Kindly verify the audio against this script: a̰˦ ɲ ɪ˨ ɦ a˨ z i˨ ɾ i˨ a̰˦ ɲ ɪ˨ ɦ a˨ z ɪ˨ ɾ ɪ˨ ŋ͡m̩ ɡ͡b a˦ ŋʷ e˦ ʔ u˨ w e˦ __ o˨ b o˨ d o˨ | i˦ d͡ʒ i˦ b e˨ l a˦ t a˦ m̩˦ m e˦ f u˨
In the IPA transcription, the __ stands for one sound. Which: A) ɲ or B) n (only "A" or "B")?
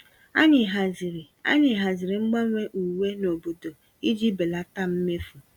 B